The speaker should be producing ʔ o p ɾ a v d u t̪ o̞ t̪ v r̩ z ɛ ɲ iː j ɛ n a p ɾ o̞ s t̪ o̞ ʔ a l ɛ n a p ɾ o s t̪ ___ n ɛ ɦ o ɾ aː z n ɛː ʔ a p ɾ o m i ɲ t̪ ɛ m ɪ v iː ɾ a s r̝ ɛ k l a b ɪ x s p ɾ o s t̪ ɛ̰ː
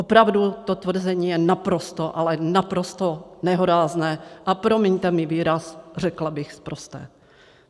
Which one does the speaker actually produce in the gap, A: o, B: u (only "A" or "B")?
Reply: A